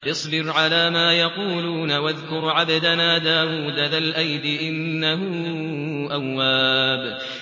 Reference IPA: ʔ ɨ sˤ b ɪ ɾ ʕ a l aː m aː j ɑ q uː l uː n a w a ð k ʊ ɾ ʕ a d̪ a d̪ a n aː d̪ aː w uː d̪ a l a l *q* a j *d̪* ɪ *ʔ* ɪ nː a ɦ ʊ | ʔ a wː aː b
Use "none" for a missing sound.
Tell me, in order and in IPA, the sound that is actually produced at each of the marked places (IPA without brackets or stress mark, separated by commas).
ʔ, d̪, ʔ